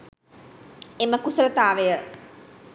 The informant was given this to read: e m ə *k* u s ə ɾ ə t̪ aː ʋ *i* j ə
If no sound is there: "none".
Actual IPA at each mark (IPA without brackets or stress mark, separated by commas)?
k, e